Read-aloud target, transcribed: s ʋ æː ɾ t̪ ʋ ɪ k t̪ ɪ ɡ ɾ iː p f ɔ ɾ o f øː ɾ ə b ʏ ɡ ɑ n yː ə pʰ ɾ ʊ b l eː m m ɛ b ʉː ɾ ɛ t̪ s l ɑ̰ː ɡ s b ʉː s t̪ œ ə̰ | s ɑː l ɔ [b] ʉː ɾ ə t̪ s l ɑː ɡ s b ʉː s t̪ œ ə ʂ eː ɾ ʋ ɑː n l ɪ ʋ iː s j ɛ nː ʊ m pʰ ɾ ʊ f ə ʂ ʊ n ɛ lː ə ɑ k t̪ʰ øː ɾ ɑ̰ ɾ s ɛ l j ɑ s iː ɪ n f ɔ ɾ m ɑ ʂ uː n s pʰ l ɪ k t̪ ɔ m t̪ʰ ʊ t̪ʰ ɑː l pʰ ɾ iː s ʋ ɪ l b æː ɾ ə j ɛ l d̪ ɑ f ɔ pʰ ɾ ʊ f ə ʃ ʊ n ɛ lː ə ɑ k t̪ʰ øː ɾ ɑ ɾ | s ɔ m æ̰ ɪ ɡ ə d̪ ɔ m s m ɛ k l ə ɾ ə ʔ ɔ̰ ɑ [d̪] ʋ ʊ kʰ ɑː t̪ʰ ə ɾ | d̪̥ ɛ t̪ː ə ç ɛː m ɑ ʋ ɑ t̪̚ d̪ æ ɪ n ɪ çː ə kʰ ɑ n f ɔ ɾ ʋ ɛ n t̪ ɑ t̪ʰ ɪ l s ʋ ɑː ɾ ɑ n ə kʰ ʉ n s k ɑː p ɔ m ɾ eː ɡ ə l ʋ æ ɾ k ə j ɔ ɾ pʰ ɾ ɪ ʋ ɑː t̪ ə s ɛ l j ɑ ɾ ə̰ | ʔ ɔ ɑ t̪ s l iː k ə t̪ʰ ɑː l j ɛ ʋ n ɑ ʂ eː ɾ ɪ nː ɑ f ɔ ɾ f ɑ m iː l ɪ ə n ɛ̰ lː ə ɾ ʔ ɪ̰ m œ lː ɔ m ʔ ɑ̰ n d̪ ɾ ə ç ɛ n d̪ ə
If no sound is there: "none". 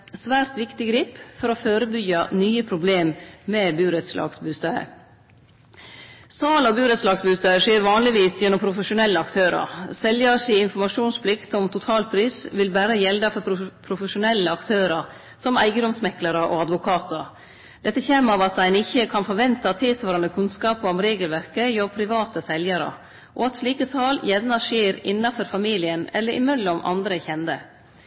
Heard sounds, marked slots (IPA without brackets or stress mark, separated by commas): b, d̪